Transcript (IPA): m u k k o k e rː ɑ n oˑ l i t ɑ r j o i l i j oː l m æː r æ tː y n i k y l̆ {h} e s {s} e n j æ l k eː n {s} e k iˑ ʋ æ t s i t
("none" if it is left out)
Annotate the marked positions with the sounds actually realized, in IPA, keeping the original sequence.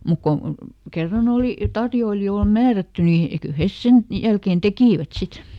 h, s, t

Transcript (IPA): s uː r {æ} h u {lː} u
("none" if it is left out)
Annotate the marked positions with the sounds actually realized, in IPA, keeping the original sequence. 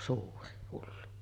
i, lː

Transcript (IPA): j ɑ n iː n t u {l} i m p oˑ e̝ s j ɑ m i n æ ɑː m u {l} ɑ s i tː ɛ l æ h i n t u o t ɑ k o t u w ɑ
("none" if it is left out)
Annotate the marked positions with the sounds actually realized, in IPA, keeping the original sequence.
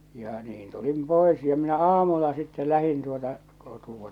l, lː

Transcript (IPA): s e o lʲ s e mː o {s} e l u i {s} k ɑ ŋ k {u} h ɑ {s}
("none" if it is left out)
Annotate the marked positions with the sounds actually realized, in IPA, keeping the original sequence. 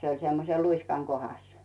s, s, o, s

